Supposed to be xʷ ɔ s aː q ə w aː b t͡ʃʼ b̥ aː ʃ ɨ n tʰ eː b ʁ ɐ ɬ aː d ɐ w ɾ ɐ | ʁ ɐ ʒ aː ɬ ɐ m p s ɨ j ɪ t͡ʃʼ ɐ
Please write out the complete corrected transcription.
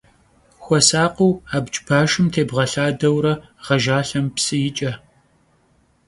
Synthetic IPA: xʷ ɔ s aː q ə w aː b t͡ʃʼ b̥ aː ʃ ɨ m tʰ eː b ʁ ɐ ɬ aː d ɐ w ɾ ɐ | ʁ ɐ ʒ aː ɬ ɐ m p s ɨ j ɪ t͡ʃʼ ɐ